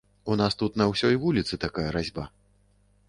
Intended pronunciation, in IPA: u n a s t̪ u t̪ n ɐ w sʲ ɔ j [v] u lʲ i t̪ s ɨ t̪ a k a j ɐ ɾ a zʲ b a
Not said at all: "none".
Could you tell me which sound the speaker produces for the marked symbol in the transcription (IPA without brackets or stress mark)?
v